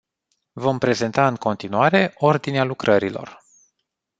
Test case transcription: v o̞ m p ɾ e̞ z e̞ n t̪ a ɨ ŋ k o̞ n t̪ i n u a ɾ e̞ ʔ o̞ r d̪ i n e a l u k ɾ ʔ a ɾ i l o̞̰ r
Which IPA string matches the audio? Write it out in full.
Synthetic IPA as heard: v o̞ m p ɾ e̞ z e̞ n t̪ a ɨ ŋ k o̞ n t̪ i n u a ɾ e̞ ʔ o̞ r d̪ i n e a l u k ɾ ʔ ə ɾ i l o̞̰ r